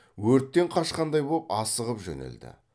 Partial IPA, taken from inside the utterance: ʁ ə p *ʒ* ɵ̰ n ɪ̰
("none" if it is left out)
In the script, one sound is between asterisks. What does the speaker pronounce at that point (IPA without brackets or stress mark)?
ʒ